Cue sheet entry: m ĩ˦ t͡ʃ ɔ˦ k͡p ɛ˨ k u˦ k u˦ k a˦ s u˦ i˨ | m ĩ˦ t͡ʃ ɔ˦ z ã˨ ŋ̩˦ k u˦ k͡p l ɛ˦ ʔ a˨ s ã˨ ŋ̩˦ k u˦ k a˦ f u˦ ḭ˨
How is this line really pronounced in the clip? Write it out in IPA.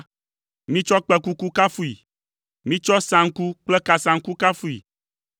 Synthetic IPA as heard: m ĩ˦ t͡ʃ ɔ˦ k͡p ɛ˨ k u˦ k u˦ k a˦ f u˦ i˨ | m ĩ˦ t͡ʃ ɔ˦ s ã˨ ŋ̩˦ k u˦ k͡p l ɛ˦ k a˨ s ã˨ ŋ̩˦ k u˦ k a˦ f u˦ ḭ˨